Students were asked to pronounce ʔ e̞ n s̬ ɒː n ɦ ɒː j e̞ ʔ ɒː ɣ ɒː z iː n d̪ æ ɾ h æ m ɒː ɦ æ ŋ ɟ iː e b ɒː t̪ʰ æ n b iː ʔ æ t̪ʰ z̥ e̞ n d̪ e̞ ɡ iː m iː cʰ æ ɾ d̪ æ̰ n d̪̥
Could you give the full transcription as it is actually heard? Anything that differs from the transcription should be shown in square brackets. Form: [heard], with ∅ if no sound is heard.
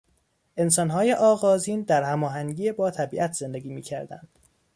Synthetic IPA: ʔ e̞ n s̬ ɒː n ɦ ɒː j e̞ ʔ ɒː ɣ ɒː z iː n d̪ æ ɾ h æ m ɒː ɦ æ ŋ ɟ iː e b ɒː t̪ʰ æ [∅] b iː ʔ æ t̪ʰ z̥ e̞ n d̪ e̞ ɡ iː m iː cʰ æ ɾ d̪ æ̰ n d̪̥